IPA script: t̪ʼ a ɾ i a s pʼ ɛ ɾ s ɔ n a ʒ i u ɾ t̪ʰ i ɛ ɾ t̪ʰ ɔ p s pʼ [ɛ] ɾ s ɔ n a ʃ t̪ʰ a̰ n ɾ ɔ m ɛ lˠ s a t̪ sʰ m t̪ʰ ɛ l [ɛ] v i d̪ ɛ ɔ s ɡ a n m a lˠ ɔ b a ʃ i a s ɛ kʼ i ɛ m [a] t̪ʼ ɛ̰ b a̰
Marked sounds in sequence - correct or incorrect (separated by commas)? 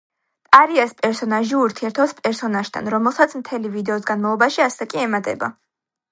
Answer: correct, incorrect, correct